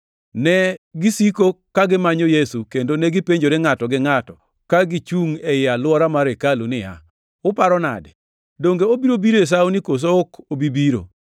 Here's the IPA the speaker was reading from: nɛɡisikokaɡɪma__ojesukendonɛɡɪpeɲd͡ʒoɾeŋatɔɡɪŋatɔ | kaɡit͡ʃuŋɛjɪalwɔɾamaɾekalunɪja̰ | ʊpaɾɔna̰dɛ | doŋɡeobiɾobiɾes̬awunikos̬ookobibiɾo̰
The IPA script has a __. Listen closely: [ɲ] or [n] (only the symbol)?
ɲ